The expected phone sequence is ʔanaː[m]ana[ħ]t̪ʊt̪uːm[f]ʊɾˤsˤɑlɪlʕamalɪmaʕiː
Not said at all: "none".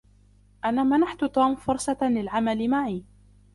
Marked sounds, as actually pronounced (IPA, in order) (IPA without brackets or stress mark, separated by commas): m, ħ, f